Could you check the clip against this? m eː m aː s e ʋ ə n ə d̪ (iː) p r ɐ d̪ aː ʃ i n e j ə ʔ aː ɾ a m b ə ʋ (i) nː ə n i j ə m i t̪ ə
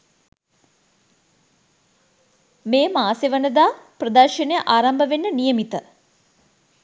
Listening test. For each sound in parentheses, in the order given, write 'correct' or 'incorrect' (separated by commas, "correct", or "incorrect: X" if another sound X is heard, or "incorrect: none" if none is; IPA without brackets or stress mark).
incorrect: aː, incorrect: e